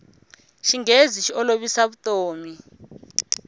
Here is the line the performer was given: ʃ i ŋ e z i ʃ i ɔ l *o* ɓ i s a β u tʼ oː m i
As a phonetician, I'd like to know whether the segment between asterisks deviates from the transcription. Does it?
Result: no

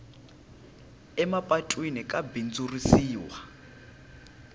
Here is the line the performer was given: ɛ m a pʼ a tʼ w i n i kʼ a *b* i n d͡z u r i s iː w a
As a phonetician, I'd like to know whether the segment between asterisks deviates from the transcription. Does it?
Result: no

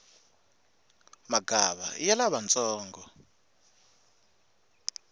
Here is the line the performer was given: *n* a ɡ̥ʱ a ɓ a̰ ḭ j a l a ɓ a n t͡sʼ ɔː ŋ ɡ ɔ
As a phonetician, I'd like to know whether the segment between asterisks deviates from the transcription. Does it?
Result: yes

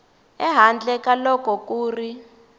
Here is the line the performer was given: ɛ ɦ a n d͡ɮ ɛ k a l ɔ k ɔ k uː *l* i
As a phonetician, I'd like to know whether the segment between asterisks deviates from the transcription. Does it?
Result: yes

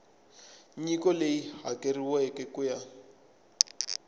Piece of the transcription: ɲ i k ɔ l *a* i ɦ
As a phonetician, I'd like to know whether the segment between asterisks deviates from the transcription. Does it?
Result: yes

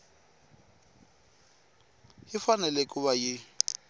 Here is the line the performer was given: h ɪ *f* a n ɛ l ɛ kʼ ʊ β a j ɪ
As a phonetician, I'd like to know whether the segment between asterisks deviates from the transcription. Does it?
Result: no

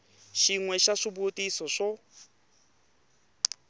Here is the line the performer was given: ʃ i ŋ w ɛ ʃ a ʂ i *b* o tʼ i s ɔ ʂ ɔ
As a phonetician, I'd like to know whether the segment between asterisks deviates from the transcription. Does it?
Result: no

